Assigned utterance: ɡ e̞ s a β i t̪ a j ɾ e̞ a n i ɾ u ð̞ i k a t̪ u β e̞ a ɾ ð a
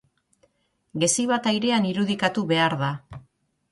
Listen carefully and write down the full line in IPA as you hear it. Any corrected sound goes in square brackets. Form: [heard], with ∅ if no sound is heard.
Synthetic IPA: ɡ e̞ s [i] β [a] t̪ a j ɾ e̞ a n i ɾ u ð̞ i k a t̪ u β e̞ a ɾ ð a